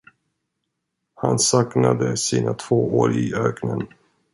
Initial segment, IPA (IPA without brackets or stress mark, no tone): h